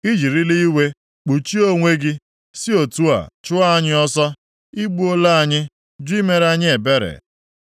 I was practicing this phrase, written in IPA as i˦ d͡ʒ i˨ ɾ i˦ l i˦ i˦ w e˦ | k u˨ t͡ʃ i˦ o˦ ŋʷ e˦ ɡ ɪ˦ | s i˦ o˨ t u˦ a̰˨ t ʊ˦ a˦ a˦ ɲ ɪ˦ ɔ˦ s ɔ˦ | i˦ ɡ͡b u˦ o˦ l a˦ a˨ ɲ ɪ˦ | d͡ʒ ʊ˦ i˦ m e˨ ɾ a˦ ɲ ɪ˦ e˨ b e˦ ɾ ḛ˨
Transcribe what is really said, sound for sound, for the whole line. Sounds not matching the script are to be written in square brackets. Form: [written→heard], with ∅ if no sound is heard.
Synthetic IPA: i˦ d͡ʒ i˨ ɾ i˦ l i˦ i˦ w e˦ | [k→k͡p] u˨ t͡ʃ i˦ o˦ ŋʷ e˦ ɡ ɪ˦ | s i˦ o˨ t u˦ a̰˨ [t→t͡ʃ] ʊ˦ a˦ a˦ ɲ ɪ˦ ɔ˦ s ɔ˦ | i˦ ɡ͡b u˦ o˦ l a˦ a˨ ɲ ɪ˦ | d͡ʒ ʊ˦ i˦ m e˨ ɾ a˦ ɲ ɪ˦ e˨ b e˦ ɾ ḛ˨